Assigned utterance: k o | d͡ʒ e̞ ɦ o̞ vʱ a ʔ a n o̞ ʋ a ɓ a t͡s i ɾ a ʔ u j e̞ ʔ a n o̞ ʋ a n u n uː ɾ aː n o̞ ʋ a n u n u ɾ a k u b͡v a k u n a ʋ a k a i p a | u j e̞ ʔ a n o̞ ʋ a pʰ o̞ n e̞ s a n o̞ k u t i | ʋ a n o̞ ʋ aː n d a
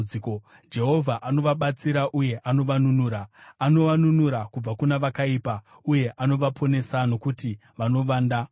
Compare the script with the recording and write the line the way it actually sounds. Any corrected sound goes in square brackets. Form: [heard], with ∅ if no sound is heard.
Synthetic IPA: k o | d͡ʒ e̞ ɦ o̞ vʱ a ʔ a n o̞ ʋ a ɓ a t͡s i ɾ a ʔ u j e̞ ʔ a n o̞ ʋ a n u n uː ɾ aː n o̞ ʋ a n u n u ɾ a k u b͡v a k u n a ʋ a k a i p a | u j e̞ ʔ a n o̞ ʋ a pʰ o̞ n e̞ s a n o̞ k u t i | ʋ a n o̞ ʋ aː n d a